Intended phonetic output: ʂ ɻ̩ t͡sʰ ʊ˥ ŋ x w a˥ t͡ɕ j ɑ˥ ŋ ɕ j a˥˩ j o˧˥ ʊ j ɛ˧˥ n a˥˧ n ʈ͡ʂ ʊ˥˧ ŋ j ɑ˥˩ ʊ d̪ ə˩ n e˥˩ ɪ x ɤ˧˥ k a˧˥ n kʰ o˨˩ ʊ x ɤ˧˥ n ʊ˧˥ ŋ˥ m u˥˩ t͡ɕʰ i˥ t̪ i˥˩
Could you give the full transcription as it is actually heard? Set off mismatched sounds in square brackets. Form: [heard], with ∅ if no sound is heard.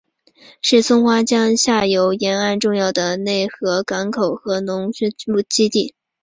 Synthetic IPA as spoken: ʂ ɻ̩ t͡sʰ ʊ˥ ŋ x w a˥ t͡ɕ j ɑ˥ ŋ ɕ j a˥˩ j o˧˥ ʊ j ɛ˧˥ n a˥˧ n ʈ͡ʂ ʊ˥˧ ŋ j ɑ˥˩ ʊ d̪ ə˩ n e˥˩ ɪ x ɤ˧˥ k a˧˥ n kʰ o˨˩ ʊ x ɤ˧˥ n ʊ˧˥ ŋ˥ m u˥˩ [t͡ɕ] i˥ t̪ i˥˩